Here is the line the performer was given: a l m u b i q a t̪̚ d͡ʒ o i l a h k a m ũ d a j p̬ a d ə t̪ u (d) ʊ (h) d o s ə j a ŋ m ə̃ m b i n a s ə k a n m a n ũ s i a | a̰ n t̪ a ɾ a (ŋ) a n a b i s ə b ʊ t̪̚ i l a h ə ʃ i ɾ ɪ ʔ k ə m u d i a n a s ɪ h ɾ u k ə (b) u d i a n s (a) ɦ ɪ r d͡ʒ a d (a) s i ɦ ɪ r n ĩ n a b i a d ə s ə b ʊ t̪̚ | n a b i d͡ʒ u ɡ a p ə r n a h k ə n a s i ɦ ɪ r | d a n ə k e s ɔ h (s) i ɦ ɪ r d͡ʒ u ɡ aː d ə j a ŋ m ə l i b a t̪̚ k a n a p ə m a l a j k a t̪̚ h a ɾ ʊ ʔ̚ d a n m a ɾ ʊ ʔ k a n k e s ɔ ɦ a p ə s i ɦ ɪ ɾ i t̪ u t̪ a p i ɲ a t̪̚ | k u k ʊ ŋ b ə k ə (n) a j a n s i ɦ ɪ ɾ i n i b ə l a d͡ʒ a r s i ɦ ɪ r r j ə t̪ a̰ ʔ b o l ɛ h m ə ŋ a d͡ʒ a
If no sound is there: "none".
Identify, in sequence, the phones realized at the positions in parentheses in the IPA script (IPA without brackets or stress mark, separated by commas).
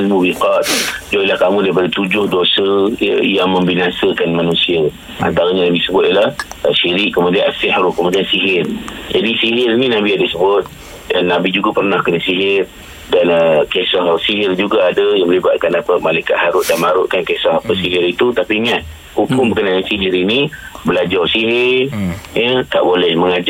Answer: d͡ʒ, h, ɲ, m, i, i, s, n